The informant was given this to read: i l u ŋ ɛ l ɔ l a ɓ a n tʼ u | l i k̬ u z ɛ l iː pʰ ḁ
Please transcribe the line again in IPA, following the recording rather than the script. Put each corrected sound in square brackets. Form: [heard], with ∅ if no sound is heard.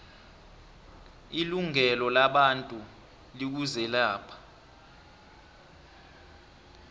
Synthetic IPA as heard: i l u ŋ ɛ l ɔ l a ɓ a n tʼ u | l i k̬ u z ɛ l [aː] pʰ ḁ